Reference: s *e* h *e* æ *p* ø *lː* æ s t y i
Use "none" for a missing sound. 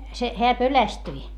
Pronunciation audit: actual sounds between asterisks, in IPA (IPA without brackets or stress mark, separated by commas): e, e, p, l